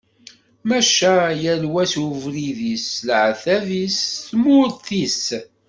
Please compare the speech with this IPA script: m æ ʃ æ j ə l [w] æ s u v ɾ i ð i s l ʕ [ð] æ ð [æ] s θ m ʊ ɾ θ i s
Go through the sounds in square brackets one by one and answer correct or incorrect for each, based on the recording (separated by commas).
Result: correct, incorrect, incorrect